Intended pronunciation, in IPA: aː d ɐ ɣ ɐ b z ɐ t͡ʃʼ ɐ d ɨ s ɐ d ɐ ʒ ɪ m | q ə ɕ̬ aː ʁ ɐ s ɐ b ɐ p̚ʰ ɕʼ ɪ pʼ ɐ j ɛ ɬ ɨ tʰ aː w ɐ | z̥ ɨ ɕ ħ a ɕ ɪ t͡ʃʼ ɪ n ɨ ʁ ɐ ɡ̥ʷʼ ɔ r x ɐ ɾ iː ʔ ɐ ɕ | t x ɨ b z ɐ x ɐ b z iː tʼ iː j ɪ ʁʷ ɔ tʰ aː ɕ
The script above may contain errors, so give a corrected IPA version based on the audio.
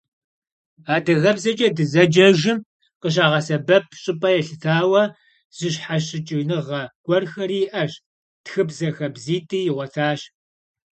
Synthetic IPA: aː d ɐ ɣ ɐ b z ɐ t͡ʃʼ ɐ d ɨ z ɐ d͡ʒ ɐ ʒ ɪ m | q ə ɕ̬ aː ʁ ɐ s ɐ b ɐ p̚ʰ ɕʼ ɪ pʼ ɐ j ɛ ɬ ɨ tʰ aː w ɐ | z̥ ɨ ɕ ħ a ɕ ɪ t͡ʃʼ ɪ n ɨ ʁ ɐ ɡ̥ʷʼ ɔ r x ɐ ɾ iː ʔ ɐ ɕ | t x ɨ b z ɐ x ɐ b z iː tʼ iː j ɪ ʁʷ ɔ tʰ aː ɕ